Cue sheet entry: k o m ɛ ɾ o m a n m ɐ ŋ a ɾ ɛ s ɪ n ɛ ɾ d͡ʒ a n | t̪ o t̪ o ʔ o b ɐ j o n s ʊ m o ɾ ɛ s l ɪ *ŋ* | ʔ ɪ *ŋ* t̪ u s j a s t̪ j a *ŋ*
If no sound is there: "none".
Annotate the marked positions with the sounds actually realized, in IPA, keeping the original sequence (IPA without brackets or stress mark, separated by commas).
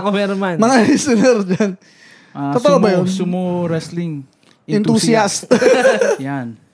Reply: ŋ, n, n